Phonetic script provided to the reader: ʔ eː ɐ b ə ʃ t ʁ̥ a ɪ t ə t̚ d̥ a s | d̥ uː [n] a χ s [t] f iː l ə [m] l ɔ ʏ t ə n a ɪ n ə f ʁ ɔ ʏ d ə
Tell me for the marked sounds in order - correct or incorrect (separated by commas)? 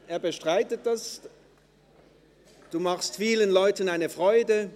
incorrect, correct, incorrect